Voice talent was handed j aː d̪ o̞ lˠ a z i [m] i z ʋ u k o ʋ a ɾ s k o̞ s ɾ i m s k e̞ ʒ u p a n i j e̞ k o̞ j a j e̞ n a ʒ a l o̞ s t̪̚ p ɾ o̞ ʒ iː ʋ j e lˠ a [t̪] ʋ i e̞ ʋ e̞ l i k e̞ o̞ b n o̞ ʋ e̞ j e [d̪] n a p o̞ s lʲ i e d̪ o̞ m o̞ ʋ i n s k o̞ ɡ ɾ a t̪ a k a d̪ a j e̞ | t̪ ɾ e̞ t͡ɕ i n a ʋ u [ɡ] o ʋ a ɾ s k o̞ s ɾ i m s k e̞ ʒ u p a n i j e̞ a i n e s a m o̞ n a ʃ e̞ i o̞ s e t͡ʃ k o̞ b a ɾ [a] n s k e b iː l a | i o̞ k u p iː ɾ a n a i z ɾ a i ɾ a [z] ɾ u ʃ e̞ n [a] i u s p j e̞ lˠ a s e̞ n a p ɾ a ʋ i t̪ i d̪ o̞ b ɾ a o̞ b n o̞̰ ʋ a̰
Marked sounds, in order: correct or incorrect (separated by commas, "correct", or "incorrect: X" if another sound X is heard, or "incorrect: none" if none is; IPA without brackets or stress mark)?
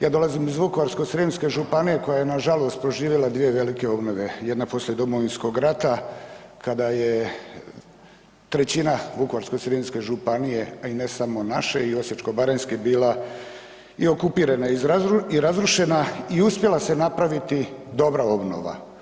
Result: correct, incorrect: d̪, correct, incorrect: k, incorrect: e, correct, correct